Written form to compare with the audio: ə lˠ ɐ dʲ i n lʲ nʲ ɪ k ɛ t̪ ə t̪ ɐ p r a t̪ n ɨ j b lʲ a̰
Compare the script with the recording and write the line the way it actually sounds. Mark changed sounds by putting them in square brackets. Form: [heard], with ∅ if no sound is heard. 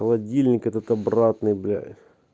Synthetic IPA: ə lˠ ɐ dʲ i [∅] lʲ nʲ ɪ k ɛ t̪ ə t̪ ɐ [b] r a t̪ n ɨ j b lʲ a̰